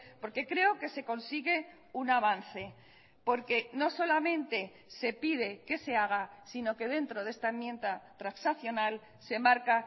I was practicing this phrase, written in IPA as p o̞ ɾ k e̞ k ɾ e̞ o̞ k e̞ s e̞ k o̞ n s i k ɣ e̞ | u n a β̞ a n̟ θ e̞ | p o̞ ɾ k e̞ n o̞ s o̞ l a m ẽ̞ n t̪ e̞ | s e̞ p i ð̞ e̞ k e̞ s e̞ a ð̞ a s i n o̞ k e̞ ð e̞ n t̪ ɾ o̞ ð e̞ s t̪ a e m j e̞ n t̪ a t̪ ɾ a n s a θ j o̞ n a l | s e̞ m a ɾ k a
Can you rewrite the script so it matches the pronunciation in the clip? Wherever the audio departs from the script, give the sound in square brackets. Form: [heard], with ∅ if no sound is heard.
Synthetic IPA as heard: p o̞ ɾ k e̞ k ɾ e̞ o̞ k e̞ s e̞ k o̞ n s i [∅] ɣ e̞ | u n a β̞ a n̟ θ e̞ | p o̞ ɾ k e̞ n o̞ s o̞ l a m ẽ̞ n t̪ e̞ | s e̞ p i ð̞ e̞ k e̞ s e̞ a [ɣ̞] a s i n o̞ k e̞ ð e̞ n t̪ ɾ o̞ ð e̞ s t̪ a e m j e̞ n t̪ a t̪ ɾ a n s a θ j o̞ n a l | s e̞ m a ɾ k a

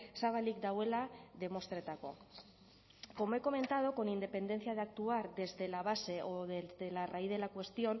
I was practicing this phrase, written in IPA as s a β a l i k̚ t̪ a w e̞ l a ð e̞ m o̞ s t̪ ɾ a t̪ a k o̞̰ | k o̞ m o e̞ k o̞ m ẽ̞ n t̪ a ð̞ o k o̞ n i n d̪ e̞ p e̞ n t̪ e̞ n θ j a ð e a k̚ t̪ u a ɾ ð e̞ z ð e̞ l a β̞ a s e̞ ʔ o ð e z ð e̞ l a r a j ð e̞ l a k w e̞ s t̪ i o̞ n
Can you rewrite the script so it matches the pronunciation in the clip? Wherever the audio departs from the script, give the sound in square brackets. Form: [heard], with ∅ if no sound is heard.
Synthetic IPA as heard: s a β a l i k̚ [d̪] a w e̞ l a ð e̞ m o̞ s t̪ ɾ [e] t̪ a k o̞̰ | k o̞ m o e̞ k o̞ m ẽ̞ n t̪ a ð̞ o k o̞ n i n d̪ e̞ p e̞ n [d̪] e̞ n θ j a ð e a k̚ t̪ u a ɾ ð e̞ z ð e̞ l a β̞ a s e̞ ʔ o ð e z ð e̞ l a r a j ð e̞ l a k w e̞ s t̪ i o̞ n

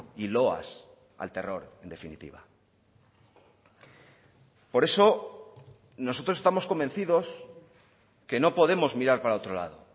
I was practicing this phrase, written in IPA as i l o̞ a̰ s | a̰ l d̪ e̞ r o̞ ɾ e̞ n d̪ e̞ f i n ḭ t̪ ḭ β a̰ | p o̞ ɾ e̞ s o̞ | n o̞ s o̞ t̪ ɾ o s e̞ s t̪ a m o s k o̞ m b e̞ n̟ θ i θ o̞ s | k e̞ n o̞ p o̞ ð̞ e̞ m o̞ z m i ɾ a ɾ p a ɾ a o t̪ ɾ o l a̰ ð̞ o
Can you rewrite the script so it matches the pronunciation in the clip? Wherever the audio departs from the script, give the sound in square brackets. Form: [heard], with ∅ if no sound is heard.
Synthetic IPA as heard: i l o̞ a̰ s | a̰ l [t̪] e̞ r o̞ ɾ e̞ n d̪ e̞ f i n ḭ t̪ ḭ β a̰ | p o̞ ɾ e̞ s o̞ | n o̞ s o̞ t̪ ɾ o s e̞ s t̪ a m o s k o̞ m b e̞ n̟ θ i [ð] o̞ s | k e̞ n o̞ p o̞ ð̞ e̞ m o̞ z m i ɾ a ɾ p a ɾ a o t̪ ɾ o l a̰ ð̞ o

